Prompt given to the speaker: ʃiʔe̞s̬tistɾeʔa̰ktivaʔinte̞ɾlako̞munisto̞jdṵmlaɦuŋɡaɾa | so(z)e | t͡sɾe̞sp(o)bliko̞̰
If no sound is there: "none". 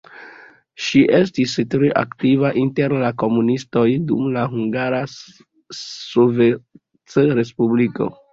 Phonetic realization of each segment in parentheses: v, u

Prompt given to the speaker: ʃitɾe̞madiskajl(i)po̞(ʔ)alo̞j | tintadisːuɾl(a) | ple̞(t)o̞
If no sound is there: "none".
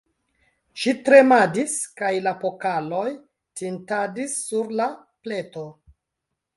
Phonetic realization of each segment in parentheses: a, k, a, t

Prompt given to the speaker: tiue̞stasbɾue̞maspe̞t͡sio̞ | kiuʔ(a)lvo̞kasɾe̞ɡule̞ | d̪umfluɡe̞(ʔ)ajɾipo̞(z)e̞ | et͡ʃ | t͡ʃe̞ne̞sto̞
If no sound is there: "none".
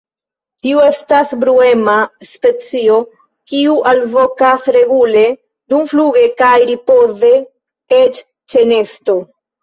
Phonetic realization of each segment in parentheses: a, k, z

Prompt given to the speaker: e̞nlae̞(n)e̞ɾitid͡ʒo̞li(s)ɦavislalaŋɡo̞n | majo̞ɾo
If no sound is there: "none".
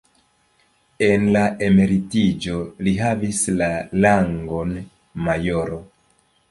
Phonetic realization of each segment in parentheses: m, none

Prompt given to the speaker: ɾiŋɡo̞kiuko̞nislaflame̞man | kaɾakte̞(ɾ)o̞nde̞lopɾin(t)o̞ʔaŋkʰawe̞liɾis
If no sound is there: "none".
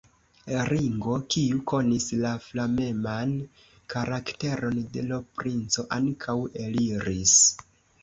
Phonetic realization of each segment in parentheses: ɾ, t͡s

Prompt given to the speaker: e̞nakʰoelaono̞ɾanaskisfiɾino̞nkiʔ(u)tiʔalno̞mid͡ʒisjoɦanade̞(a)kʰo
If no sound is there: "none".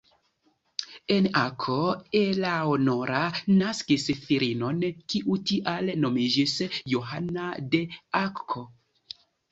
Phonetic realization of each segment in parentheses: u, a

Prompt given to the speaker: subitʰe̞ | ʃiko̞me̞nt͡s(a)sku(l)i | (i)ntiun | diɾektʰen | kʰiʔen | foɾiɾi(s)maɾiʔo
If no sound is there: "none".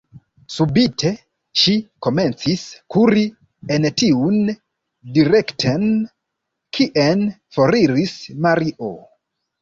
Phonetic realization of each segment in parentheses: i, ɾ, e, s

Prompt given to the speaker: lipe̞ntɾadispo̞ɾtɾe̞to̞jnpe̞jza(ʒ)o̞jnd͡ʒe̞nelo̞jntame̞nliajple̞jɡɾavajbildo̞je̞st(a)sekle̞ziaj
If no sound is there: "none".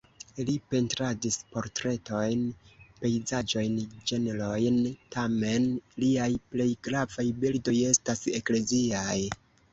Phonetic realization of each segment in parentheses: d͡ʒ, a

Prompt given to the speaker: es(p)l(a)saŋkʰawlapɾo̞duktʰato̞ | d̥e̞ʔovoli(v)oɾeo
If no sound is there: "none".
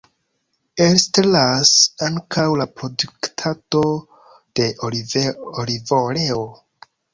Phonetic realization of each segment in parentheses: t, a, v

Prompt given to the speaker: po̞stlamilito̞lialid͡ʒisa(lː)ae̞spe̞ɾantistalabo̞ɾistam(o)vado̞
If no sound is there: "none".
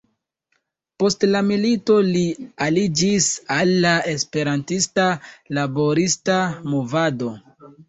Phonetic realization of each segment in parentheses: lː, o

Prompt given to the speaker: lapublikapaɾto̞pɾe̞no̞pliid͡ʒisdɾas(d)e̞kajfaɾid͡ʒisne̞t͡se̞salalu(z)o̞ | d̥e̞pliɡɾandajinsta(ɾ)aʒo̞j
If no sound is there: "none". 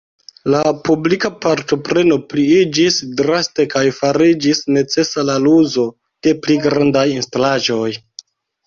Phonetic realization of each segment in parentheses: t, z, l

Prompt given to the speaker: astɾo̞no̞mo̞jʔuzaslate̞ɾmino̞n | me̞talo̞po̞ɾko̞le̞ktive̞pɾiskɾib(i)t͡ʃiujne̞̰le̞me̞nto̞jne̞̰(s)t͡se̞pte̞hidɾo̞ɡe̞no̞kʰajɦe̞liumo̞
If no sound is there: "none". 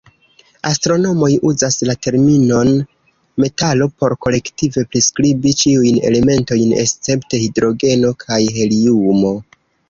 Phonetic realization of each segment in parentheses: i, s

